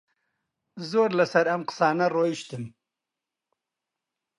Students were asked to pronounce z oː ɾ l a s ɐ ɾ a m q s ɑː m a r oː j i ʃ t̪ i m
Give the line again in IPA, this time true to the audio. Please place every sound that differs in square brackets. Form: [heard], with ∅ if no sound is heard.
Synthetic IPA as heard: z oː ɾ l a s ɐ ɾ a m q s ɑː [n] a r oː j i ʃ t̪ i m